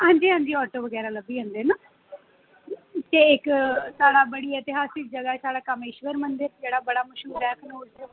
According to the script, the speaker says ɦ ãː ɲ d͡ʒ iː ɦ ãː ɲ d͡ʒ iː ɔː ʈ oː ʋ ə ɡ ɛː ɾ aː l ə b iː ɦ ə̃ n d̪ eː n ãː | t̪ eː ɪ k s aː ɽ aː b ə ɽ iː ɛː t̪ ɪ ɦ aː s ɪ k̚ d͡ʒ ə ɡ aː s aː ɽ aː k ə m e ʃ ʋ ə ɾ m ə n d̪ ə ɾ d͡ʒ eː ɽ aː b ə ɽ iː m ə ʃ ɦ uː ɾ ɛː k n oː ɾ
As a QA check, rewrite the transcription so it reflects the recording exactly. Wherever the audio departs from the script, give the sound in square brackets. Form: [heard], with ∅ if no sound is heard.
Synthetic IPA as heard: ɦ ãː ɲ d͡ʒ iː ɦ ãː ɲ d͡ʒ iː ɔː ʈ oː ʋ ə ɡ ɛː ɾ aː l ə b iː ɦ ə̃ n d̪ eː n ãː | t̪ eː ɪ k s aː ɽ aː b ə ɽ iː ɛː t̪ ɪ ɦ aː s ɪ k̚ d͡ʒ ə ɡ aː s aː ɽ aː k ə m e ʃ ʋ ə ɾ m ə n d̪ ə ɾ d͡ʒ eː ɽ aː b ə ɽ [aː] m ə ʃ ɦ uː ɾ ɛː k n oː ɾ